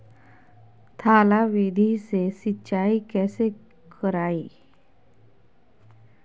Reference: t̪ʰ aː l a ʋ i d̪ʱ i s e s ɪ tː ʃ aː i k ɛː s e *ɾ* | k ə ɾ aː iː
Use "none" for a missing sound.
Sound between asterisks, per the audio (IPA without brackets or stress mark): none